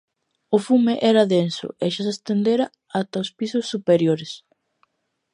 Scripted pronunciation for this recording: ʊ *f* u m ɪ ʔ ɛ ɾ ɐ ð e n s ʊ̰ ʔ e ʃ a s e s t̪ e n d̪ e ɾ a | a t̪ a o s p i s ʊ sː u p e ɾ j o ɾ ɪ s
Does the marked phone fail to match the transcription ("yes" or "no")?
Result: no